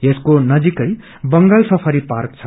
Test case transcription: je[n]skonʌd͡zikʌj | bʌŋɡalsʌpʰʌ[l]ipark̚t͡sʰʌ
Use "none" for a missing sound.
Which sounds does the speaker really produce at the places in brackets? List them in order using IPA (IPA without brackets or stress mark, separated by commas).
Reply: none, ɾ